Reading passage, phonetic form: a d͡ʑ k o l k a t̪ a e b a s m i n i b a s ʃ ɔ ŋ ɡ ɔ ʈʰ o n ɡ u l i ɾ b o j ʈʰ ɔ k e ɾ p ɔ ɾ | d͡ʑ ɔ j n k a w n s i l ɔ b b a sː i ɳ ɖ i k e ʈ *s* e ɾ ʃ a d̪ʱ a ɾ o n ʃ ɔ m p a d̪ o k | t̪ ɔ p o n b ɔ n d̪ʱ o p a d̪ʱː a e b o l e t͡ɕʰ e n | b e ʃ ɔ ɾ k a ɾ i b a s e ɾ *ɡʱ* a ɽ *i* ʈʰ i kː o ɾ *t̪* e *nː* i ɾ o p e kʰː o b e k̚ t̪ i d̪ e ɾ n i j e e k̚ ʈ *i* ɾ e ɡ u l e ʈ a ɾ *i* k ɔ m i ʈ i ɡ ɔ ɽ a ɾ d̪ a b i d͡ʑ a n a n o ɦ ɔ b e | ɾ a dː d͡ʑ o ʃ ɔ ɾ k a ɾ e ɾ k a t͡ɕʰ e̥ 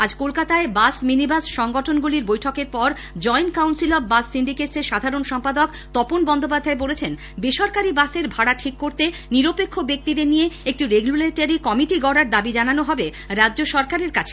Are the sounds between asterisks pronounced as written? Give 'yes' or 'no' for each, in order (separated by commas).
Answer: yes, no, no, yes, no, yes, yes